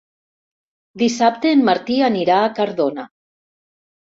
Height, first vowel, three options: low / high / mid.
high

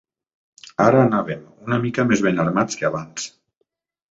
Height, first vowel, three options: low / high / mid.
low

